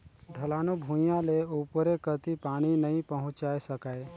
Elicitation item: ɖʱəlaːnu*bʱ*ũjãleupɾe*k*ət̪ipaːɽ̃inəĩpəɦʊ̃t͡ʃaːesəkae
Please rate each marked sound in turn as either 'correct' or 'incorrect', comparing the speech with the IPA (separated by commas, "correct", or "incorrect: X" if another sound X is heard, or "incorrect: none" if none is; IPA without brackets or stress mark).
correct, correct